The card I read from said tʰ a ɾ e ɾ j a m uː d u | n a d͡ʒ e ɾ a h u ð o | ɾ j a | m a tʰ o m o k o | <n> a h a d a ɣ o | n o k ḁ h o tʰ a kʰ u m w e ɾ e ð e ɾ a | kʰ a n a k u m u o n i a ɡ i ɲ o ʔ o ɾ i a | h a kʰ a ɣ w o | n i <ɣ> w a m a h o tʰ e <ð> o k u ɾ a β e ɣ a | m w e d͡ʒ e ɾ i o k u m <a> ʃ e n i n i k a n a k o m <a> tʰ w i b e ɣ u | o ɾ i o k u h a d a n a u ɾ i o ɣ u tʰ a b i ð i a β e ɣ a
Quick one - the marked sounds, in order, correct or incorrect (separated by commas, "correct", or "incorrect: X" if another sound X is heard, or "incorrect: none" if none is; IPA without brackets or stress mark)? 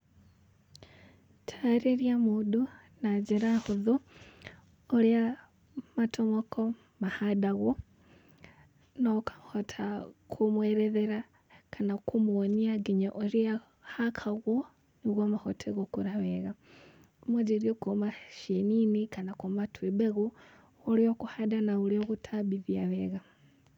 incorrect: m, correct, incorrect: ɣ, correct, correct